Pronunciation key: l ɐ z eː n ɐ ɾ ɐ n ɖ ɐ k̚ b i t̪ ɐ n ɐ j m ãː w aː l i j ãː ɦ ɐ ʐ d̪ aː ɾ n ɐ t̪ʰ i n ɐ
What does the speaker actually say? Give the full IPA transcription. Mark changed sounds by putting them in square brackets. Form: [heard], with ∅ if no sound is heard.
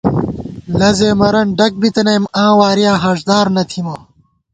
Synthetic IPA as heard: l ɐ z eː [m] ɐ ɾ ɐ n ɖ ɐ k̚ b i t̪ ɐ n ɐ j m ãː w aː [ɾ] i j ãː ɦ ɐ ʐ d̪ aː ɾ n ɐ t̪ʰ i [m] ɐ